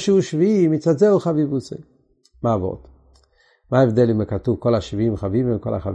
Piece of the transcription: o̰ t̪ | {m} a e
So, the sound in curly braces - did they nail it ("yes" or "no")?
yes